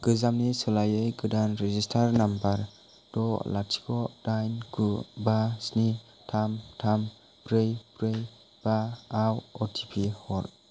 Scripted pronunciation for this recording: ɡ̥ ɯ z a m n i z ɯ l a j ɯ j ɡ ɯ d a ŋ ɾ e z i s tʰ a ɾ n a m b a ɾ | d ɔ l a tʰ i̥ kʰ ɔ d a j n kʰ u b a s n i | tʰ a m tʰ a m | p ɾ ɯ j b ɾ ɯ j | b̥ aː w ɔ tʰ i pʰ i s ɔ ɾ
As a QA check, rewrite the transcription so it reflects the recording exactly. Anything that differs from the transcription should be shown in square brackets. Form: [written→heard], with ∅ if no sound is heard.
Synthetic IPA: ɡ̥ ɯ z a m n i [z→s] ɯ l a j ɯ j ɡ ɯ d a [ŋ→n] ɾ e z i s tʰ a ɾ n a m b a ɾ | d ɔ l a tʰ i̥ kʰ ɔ d a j n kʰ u b a s n i | tʰ a m tʰ a m | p ɾ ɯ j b ɾ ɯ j | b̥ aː w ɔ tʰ i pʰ i [s→h] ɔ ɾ